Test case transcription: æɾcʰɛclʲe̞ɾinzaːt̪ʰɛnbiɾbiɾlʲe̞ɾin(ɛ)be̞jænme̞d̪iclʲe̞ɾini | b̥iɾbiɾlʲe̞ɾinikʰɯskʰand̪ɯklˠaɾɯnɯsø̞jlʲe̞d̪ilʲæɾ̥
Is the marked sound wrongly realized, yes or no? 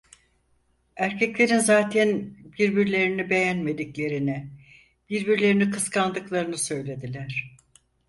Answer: yes